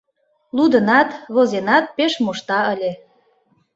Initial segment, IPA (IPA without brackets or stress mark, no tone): l